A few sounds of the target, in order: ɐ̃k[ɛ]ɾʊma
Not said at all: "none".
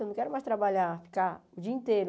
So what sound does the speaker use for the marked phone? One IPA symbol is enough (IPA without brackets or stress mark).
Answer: ɛ